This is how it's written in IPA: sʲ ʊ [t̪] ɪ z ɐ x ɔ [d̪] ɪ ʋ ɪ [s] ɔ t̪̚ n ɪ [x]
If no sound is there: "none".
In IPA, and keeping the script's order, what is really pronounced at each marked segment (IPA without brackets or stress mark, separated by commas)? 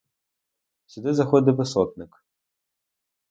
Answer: d̪, d̪, s, k